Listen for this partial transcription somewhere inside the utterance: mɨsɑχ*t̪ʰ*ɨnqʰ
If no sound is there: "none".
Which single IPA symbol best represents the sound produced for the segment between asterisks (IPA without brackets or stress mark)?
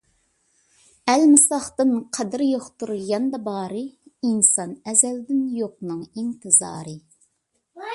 t̪